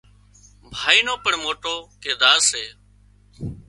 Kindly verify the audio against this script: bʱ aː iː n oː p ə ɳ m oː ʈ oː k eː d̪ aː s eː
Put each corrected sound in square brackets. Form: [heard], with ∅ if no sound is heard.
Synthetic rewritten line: bʱ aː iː n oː p ə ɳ m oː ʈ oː k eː d̪ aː s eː